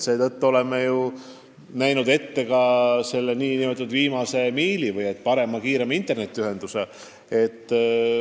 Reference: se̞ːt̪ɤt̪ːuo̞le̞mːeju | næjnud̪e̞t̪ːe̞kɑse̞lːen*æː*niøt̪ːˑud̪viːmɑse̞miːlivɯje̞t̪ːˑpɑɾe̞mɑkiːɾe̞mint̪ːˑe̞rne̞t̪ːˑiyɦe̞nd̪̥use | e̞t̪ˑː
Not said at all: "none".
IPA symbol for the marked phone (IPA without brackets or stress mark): iː